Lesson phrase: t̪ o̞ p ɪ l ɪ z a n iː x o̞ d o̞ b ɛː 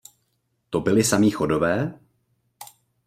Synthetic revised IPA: t̪ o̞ b ɪ l ɪ s a m iː x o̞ d o̞ v ɛː